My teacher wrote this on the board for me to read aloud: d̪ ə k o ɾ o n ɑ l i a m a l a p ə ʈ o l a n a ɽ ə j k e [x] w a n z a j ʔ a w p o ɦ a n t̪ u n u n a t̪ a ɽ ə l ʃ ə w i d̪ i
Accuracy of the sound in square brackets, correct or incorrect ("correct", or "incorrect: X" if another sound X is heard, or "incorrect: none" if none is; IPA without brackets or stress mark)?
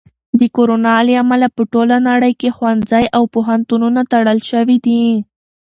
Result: correct